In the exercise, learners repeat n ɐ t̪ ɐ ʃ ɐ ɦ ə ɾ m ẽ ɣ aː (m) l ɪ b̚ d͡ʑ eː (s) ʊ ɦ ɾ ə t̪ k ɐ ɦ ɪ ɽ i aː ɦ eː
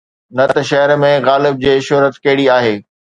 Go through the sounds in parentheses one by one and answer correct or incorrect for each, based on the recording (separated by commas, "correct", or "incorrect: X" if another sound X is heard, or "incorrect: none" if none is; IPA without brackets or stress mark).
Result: incorrect: none, incorrect: ʃ